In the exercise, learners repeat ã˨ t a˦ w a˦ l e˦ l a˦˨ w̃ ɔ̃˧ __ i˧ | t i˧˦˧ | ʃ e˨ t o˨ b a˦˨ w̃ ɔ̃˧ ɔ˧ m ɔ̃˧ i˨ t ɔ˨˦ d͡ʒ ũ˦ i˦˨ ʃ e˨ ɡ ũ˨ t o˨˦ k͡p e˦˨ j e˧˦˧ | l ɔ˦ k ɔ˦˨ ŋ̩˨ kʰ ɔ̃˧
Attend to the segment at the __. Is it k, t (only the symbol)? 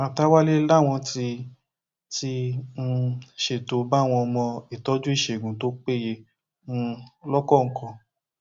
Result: t